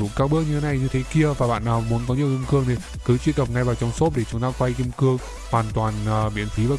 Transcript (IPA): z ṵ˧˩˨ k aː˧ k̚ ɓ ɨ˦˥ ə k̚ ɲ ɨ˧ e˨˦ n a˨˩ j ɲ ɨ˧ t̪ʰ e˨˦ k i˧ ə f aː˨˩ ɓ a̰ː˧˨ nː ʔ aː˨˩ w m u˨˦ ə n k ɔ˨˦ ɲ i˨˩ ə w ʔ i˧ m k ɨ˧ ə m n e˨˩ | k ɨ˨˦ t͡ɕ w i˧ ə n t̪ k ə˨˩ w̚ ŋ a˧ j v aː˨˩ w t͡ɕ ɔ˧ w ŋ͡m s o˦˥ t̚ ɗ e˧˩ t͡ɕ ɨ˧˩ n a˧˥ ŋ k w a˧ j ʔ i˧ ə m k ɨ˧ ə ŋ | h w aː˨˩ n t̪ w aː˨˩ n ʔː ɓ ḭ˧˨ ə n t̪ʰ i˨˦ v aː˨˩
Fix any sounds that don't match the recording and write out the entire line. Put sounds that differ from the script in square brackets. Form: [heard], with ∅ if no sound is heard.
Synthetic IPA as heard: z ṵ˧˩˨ k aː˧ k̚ ɓ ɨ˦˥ ə k̚ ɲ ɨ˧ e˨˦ n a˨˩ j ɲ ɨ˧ t̪ʰ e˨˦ k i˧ ə [v] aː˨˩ ɓ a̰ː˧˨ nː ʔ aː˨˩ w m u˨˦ ə n k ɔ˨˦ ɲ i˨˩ ə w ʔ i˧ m k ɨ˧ ə [ŋ] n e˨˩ | k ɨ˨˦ t͡ɕ w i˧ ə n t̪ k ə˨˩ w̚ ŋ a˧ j v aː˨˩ w t͡ɕ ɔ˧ w ŋ͡m s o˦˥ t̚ ɗ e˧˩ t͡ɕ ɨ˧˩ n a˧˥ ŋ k w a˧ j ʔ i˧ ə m k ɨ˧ ə ŋ | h w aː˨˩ n t̪ w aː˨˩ n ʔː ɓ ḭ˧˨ ə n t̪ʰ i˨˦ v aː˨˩